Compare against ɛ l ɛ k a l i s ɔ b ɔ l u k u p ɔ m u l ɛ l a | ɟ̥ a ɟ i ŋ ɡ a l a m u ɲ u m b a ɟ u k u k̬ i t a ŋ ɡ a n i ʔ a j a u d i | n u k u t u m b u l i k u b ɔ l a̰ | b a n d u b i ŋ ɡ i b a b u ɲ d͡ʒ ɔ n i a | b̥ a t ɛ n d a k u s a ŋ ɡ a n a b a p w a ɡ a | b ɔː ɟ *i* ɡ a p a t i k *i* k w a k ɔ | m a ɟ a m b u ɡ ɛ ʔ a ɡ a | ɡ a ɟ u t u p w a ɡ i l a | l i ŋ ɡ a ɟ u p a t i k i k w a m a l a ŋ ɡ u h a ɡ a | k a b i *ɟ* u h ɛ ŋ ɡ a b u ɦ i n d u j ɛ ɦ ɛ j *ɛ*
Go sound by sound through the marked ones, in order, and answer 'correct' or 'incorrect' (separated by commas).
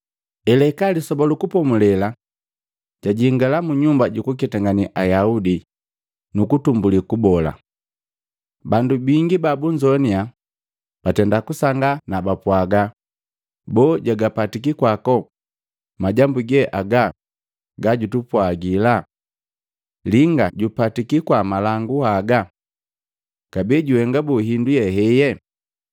incorrect, correct, correct, correct